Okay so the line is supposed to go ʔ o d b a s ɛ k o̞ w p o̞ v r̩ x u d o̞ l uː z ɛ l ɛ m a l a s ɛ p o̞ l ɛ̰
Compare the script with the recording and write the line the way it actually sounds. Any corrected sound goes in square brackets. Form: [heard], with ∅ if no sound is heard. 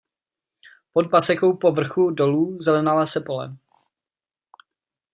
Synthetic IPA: [p] o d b a s ɛ k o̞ w p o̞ v r̩ x u d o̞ l uː z ɛ l ɛ [n] a l a s ɛ p o̞ l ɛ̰